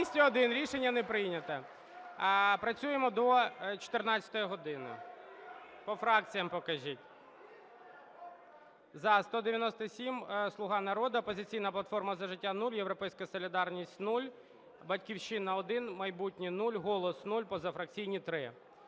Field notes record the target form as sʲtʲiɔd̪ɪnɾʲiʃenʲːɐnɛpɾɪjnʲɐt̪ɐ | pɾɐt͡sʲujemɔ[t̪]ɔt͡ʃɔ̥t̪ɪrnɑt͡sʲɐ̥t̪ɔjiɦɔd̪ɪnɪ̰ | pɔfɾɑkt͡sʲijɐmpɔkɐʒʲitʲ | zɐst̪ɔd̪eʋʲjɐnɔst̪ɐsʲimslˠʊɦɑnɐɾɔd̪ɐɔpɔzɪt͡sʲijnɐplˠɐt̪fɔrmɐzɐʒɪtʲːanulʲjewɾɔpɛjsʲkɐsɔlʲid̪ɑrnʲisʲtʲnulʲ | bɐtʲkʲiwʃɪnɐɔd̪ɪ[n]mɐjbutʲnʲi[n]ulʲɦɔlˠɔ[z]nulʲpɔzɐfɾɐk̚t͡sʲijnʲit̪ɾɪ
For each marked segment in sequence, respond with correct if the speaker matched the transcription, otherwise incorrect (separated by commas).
incorrect, correct, correct, incorrect